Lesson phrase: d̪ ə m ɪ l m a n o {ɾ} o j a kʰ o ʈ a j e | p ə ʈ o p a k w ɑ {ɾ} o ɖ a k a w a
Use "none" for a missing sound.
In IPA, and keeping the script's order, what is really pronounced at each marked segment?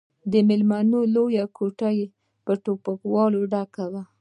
l, l

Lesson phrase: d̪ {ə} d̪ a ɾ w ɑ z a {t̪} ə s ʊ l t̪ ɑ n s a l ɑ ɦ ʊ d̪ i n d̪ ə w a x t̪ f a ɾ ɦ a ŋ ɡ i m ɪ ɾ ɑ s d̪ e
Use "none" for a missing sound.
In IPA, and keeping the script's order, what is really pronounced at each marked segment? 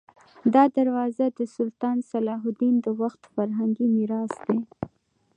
ɑ, d̪

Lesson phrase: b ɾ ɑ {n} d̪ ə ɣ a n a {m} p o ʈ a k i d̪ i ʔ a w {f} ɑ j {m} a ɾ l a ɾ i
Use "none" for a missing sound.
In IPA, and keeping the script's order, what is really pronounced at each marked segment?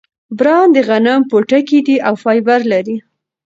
n, m, f, b

